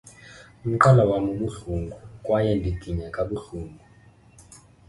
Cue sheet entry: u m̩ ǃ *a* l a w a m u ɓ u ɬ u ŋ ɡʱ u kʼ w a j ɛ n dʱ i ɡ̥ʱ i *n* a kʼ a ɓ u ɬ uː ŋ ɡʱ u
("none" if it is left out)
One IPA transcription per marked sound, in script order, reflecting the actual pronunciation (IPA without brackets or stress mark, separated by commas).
a, ɲ